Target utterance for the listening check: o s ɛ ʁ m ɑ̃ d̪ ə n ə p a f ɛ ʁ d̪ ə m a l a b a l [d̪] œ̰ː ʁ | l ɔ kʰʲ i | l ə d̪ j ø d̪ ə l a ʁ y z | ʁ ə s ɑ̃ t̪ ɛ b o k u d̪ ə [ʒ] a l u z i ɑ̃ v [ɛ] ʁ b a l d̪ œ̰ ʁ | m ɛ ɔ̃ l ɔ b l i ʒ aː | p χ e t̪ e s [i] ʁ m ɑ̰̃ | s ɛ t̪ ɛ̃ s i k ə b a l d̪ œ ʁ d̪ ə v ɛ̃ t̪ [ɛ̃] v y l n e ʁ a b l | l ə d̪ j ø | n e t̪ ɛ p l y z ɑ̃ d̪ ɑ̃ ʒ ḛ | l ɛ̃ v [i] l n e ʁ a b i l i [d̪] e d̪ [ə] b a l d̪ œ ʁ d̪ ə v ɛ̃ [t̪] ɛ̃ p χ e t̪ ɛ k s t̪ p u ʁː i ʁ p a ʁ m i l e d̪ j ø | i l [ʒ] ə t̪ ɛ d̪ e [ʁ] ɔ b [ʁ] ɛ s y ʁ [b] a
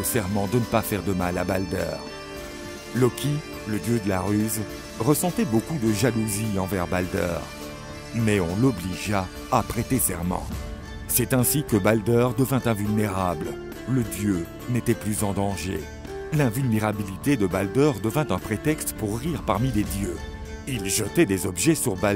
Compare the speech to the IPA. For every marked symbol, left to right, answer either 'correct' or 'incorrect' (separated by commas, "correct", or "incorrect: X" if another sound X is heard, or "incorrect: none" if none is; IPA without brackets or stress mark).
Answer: correct, correct, correct, incorrect: ɛ, correct, incorrect: y, incorrect: t̪, correct, correct, correct, incorrect: z, incorrect: ʒ, correct